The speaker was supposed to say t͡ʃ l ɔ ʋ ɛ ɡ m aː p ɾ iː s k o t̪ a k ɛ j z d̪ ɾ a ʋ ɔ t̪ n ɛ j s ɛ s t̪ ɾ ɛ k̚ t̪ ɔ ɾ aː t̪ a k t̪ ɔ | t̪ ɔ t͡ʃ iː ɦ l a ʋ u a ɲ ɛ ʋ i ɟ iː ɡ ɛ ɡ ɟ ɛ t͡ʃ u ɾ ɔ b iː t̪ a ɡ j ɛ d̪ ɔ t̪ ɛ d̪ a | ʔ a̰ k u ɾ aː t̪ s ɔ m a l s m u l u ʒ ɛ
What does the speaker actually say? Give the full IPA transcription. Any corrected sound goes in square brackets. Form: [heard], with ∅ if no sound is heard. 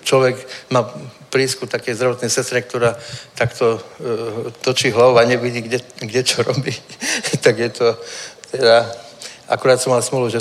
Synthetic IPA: t͡ʃ l ɔ ʋ ɛ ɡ m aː p ɾ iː s k [u] t̪ a k ɛ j z d̪ ɾ a ʋ ɔ t̪ n ɛ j s ɛ s t̪ ɾ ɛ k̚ t̪ ɔ ɾ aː t̪ a k t̪ ɔ | t̪ ɔ t͡ʃ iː ɦ l a ʋ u a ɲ ɛ ʋ i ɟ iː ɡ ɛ ɡ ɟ ɛ t͡ʃ [ɔ] ɾ ɔ b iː t̪ a ɡ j ɛ [t̪] ɔ t̪ ɛ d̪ a | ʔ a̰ k u ɾ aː t̪ s ɔ m a l s m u l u ʒ ɛ